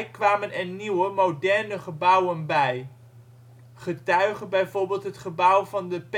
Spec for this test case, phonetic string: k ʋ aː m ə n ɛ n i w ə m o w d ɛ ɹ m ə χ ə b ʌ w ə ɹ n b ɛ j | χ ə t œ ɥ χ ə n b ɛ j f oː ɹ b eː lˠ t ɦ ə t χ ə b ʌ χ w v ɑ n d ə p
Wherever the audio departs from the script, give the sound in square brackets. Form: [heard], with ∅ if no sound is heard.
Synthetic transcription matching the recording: k ʋ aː m ə n ɛ n i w ə m o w d ɛ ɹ [n] ə χ ə b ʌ w ə [∅] n b ɛ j | χ ə t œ ɥ χ ə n b ɛ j [v] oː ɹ b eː lˠ t ɦ ə t χ ə b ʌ [∅] w v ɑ n d ə p